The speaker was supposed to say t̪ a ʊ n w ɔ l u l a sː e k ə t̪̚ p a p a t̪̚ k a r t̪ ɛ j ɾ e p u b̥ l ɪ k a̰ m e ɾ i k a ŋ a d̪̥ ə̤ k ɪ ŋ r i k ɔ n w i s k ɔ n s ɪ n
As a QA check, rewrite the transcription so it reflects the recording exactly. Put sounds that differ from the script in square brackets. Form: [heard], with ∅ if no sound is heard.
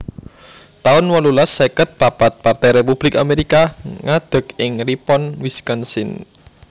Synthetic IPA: t̪ a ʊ n w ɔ l u l a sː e k ə t̪̚ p a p a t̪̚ [p] a r t̪ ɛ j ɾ e p u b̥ l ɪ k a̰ m e ɾ i k a ŋ a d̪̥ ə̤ k ɪ ŋ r i [p] ɔ n w i s k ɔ n s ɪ n